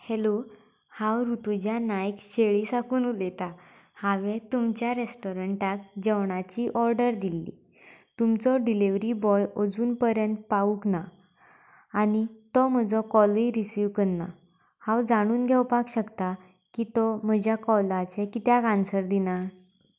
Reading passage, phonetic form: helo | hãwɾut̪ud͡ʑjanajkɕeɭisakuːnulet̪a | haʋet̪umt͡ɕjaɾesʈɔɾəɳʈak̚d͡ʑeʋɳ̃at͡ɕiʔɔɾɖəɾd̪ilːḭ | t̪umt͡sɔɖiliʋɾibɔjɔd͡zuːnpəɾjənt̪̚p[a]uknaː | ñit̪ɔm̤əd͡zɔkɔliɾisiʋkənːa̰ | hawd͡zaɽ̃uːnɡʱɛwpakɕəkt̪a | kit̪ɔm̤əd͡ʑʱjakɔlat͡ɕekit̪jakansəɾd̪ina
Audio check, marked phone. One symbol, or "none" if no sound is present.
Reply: a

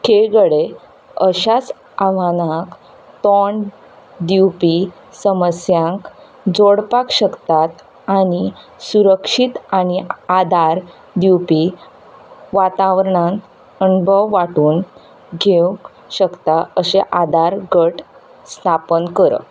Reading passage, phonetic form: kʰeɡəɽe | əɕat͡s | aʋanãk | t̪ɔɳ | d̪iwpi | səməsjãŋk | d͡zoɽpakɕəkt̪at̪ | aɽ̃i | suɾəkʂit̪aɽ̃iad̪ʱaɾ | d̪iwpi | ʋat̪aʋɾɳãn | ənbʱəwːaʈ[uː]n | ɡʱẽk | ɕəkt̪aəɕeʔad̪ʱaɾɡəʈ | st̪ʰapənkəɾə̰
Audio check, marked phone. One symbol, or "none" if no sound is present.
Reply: uː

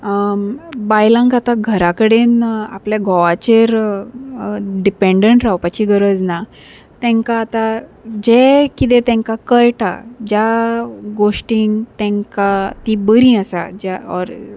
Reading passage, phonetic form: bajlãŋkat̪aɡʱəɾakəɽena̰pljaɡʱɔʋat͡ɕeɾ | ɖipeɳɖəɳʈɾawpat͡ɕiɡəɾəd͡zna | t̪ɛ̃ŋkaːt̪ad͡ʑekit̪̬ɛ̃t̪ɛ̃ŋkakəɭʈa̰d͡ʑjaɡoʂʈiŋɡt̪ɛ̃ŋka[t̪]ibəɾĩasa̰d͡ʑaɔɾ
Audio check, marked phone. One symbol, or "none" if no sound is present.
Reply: t̪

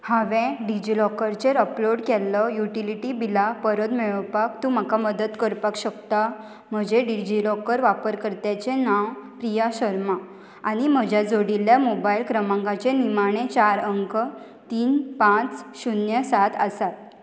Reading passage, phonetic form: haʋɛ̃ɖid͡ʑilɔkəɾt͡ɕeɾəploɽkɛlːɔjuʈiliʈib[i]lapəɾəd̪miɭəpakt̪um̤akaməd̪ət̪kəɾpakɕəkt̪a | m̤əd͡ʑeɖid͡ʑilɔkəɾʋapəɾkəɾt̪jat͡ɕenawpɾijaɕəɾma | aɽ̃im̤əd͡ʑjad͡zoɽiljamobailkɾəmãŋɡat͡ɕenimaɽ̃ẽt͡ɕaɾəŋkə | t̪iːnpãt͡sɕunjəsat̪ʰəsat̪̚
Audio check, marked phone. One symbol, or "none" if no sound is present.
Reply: i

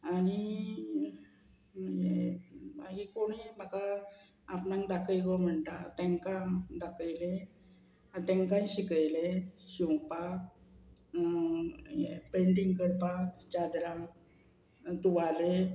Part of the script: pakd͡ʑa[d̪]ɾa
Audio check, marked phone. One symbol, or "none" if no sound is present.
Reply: d̪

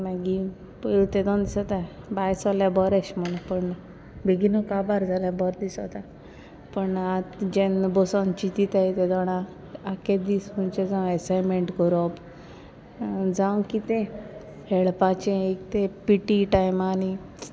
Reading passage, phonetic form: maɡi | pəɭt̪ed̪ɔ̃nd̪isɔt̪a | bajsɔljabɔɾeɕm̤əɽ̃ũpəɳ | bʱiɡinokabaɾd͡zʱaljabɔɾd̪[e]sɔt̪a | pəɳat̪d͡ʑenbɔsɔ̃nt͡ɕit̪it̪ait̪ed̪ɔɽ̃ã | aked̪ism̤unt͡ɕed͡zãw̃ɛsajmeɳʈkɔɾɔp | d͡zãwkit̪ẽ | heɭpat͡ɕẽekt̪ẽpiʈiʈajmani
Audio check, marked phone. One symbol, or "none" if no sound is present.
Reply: i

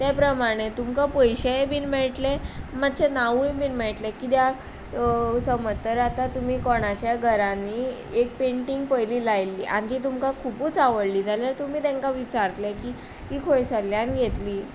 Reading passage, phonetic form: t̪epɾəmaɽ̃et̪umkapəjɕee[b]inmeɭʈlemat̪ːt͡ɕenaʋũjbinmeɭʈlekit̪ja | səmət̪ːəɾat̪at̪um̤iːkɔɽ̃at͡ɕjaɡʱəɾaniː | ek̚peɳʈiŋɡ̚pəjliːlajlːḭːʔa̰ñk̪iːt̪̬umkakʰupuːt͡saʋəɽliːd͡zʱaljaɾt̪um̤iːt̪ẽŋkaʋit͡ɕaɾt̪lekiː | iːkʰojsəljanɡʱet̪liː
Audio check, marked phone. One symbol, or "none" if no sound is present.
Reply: b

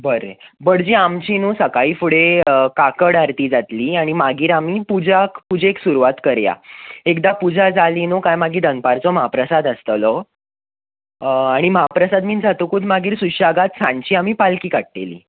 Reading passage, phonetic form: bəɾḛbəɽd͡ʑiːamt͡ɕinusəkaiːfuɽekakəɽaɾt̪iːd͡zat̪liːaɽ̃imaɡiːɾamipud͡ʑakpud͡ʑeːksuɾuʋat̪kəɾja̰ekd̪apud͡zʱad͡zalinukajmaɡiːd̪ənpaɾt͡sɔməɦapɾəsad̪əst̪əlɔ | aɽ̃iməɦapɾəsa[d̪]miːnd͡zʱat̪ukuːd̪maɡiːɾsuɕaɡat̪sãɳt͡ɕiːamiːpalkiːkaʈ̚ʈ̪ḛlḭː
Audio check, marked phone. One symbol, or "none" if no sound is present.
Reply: d̪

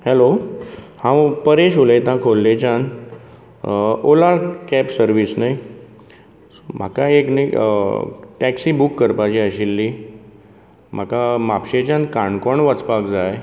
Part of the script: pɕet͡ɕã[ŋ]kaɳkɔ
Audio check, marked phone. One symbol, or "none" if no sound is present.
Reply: n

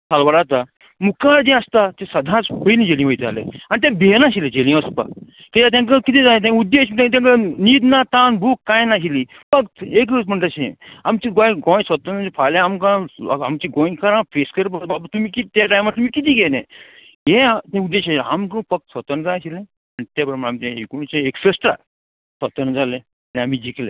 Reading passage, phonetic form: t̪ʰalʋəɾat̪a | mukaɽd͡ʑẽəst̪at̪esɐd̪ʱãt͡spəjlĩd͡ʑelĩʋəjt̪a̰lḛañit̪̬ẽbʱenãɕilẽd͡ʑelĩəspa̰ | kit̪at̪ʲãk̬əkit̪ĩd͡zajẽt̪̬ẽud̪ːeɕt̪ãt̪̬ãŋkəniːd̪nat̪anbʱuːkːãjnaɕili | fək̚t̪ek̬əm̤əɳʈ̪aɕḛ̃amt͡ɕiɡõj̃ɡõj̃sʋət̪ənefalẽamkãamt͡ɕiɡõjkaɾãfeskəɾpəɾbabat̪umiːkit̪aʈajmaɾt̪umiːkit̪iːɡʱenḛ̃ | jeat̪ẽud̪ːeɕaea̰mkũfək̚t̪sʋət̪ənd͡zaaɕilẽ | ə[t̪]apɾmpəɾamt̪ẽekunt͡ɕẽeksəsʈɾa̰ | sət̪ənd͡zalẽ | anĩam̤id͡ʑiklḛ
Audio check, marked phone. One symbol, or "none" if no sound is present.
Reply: t̪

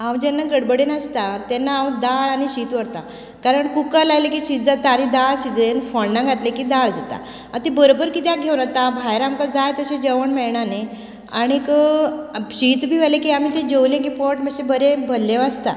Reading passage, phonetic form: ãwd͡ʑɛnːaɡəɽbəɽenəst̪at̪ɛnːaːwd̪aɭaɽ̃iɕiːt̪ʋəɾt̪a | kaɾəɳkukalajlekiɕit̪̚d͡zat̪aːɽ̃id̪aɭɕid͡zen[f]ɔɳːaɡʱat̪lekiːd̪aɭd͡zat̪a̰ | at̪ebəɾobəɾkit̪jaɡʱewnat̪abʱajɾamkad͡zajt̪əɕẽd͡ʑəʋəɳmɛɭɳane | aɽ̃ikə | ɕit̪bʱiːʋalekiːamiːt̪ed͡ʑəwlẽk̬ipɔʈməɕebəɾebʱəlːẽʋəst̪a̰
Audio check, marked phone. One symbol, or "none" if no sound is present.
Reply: f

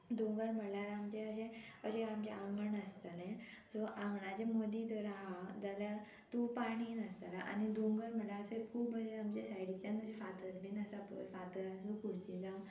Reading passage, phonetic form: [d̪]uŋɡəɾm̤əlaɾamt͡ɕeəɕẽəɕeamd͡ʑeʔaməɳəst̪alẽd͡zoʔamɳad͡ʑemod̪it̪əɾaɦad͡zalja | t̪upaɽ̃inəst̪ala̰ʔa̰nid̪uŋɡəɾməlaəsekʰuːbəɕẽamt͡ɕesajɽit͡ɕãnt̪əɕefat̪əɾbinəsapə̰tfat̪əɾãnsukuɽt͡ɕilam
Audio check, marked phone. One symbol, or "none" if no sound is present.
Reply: d̪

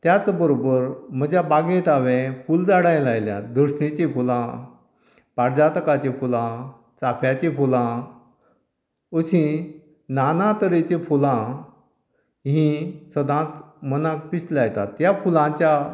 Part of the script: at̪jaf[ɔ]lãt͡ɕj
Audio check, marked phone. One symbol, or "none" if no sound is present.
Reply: u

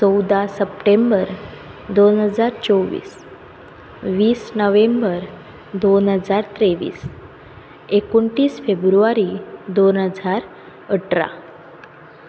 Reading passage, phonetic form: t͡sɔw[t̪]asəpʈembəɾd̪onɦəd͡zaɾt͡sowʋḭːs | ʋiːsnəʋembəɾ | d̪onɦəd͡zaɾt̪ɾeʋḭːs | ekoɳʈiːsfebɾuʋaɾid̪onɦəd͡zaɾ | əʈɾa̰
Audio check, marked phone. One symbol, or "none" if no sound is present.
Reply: d̪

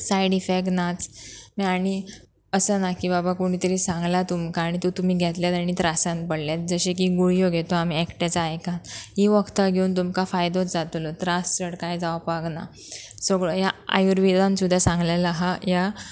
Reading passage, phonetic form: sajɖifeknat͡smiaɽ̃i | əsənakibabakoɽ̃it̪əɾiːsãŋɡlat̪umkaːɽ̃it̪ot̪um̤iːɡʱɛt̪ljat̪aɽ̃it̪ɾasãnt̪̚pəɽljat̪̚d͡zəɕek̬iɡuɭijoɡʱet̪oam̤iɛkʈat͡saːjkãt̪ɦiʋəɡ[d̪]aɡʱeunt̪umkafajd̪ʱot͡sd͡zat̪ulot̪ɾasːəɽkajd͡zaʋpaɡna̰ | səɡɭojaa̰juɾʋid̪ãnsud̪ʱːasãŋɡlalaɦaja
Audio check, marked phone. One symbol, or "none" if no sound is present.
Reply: t̪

